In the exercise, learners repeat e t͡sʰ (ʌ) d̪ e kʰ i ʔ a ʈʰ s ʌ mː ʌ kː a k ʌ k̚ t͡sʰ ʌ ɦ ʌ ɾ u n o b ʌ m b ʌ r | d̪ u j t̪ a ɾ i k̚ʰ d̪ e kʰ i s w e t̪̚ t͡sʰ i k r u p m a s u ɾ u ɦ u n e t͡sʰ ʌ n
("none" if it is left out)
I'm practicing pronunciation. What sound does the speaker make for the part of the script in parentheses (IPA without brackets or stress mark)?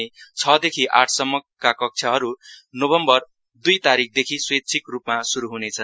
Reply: ʌ